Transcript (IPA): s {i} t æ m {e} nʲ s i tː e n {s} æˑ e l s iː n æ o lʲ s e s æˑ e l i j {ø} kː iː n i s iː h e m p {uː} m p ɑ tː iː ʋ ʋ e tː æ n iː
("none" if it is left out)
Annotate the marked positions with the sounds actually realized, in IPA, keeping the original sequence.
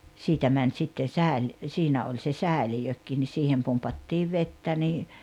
iː, æ, s, ø, u

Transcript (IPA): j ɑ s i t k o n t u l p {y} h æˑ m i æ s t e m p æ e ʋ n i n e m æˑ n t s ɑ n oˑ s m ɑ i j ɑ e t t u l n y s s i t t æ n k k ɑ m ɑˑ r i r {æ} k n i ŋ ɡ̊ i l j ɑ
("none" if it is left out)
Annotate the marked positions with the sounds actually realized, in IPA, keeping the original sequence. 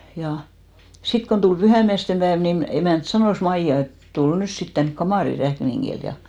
y, æ

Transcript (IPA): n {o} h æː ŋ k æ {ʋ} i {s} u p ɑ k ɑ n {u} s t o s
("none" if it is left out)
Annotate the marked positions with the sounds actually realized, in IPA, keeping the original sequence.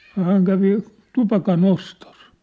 o, ʋ, t, o

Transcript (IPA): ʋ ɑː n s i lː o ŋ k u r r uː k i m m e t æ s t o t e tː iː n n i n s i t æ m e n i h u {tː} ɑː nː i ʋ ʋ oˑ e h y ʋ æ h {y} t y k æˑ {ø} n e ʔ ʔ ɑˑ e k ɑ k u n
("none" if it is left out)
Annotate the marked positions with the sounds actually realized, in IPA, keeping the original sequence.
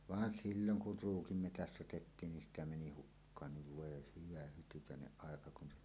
kː, y, e

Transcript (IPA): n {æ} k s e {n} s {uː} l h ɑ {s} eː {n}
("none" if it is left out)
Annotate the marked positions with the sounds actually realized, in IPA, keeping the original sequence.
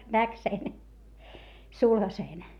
æ, n, u, s, n

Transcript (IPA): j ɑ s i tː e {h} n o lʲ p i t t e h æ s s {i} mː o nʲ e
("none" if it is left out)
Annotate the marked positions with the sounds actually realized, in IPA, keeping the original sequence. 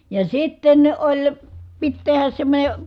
none, e

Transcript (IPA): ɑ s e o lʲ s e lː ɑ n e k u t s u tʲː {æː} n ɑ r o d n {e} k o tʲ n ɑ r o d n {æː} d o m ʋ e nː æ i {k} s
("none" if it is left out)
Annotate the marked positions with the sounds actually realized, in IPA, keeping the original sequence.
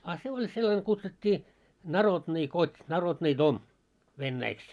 iː, i, iː, k

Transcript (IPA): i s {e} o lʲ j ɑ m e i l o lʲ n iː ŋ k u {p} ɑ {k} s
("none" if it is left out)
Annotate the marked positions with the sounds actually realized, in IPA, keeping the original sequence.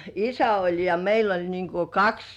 æ, k, k

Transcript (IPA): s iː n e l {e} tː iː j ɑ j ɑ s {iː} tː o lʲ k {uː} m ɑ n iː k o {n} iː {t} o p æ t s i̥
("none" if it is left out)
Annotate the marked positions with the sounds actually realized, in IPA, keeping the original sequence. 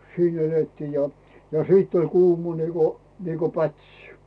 e, iː, uː, n, k

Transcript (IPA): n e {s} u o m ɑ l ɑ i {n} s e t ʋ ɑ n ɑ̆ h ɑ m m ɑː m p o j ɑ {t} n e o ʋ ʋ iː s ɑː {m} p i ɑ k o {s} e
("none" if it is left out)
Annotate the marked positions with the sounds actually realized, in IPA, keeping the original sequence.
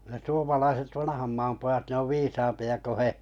s, none, t, m, h

